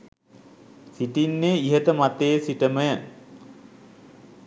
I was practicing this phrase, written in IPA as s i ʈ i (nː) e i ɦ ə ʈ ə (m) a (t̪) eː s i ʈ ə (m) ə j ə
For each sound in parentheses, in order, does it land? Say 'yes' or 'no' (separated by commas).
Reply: yes, yes, yes, yes